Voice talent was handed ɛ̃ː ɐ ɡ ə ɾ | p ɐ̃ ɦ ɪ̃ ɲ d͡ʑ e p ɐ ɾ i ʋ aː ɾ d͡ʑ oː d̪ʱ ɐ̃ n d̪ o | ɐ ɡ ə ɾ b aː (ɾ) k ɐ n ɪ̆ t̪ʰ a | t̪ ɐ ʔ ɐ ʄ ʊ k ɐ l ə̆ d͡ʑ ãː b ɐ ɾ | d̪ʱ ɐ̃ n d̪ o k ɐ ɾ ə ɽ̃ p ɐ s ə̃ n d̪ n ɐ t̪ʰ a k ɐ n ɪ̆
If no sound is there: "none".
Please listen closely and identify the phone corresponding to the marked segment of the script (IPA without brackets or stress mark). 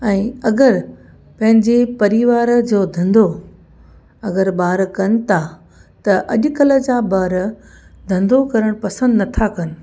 ɾ